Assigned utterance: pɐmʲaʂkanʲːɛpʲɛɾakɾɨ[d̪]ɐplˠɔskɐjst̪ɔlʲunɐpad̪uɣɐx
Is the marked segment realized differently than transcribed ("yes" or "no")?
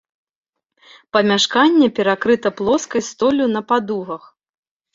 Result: yes